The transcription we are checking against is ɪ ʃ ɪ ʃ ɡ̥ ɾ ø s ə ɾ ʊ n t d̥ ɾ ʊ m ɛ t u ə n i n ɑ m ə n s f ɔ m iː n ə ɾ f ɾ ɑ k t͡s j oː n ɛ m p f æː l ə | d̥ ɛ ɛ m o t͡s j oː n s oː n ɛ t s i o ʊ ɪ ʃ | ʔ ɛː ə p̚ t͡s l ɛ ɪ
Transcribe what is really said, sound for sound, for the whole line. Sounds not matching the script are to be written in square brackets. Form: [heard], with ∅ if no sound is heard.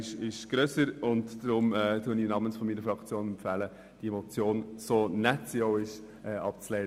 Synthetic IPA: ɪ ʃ ɪ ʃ ɡ̥ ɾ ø s ə ɾ ʊ n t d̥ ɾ ʊ m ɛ t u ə n i n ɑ m ə n s f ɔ m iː n ə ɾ f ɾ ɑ k t͡s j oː n ɛ m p f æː l ə | d̥ [i] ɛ m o t͡s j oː n s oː n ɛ t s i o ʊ ɪ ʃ | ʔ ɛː [ɑ] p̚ t͡s l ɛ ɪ